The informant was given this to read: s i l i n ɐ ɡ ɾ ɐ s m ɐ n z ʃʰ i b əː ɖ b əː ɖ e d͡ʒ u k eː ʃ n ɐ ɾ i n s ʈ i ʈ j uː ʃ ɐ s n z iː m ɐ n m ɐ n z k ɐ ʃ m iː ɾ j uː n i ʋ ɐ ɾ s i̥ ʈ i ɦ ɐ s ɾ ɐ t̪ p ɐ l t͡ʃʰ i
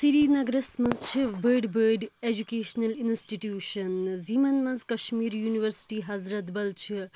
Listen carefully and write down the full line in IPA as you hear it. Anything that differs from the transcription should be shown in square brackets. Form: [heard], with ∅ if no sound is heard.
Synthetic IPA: s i [ɾ] i n ɐ ɡ ɾ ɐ s m ɐ n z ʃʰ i b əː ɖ b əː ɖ e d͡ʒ u k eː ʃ n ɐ [l] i n s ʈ i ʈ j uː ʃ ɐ [∅] n z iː m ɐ n m ɐ n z k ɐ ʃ m iː ɾ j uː n i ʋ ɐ ɾ s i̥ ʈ i ɦ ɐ [z] ɾ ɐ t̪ [b] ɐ l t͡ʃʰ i